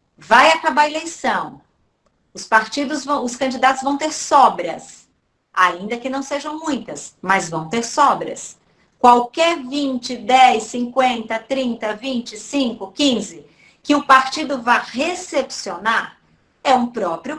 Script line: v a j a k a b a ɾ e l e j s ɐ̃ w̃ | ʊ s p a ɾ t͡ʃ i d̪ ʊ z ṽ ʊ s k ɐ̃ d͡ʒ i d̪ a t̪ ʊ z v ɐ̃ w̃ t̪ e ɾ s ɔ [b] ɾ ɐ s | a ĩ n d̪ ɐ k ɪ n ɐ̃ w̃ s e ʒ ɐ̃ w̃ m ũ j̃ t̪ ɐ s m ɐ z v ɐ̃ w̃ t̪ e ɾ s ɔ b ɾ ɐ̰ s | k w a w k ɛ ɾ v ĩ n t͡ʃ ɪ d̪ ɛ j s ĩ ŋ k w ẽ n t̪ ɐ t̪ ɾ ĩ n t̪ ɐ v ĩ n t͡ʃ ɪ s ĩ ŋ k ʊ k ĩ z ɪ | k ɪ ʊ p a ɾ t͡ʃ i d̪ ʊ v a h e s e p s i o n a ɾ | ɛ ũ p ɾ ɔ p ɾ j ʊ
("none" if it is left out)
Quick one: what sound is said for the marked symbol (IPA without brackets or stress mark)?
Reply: b